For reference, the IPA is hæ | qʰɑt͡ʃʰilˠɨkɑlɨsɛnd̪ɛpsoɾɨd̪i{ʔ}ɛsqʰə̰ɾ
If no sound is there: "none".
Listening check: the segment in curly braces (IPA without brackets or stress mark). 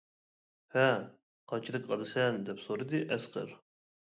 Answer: ʔ